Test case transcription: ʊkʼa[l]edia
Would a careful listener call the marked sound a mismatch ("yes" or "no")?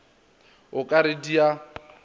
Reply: yes